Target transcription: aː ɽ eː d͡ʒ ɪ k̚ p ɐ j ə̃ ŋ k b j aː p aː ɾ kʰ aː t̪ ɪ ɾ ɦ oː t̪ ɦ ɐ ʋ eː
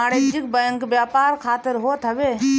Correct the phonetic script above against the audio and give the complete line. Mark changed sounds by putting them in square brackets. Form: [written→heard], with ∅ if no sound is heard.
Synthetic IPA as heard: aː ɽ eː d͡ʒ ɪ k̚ [p→b] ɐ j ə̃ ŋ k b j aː p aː ɾ kʰ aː t̪ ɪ ɾ ɦ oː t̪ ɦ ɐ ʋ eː